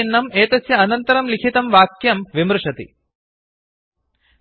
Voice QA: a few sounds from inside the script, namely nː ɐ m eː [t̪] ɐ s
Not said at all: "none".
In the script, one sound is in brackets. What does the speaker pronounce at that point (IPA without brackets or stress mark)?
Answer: t̪